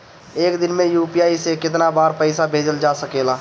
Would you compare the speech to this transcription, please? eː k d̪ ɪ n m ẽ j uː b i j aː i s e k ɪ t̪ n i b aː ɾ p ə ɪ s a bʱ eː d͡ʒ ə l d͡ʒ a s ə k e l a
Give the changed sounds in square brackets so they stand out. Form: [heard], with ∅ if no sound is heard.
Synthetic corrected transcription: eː k d̪ ɪ n m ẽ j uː [p] i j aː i s e k ɪ t̪ n [a] b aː ɾ p ə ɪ s a bʱ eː d͡ʒ ə l d͡ʒ a s ə k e l a